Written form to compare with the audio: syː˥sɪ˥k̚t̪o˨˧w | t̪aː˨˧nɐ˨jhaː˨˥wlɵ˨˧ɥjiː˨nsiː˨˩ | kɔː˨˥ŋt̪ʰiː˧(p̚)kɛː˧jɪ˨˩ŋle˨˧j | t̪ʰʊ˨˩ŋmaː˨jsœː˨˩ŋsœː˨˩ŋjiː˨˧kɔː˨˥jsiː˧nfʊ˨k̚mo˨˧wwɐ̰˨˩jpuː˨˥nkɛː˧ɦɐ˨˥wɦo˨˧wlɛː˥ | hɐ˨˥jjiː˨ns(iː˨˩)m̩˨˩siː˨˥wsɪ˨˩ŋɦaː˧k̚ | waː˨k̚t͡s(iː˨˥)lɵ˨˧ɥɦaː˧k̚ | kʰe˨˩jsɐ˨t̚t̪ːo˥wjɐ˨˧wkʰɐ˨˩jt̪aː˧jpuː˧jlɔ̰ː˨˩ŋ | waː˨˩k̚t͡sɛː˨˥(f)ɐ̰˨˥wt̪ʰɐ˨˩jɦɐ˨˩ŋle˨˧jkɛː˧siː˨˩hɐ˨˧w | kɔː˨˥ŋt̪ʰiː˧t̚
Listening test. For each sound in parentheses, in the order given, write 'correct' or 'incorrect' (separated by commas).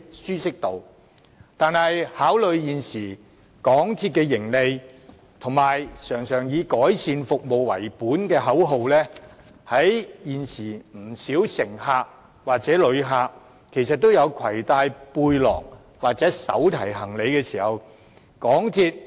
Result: incorrect, correct, incorrect, incorrect